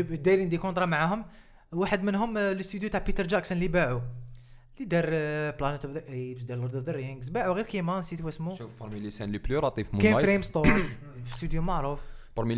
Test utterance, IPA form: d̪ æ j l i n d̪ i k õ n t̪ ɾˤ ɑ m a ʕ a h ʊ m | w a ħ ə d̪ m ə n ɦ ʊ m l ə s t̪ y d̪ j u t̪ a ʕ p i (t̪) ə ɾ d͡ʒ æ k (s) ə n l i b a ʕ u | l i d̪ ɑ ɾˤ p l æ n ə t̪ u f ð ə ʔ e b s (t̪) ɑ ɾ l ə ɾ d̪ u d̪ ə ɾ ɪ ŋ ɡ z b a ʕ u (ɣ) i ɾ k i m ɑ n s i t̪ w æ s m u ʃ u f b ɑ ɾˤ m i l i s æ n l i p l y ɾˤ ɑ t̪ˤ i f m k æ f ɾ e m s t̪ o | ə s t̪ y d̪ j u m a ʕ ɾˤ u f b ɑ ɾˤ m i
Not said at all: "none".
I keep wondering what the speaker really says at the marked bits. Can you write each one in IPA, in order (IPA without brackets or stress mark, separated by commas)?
t̪, s, d̪, ɣ